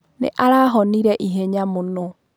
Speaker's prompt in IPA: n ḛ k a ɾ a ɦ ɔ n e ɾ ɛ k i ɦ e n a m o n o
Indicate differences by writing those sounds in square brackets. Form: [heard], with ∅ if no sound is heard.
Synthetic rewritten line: n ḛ [ʔ] a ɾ a ɦ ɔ n [i] ɾ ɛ [ʔ] i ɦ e [ɲ] a m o n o